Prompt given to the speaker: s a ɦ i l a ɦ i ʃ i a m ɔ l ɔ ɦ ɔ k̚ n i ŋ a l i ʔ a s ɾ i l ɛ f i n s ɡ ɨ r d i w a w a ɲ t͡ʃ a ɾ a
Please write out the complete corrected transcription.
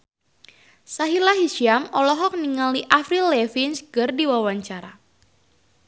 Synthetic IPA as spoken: s a ɦ i l a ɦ i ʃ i a m ɔ l ɔ ɦ ɔ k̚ n i ŋ a l i ʔ a f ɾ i l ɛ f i n s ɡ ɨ r d i w a w a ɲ t͡ʃ a ɾ a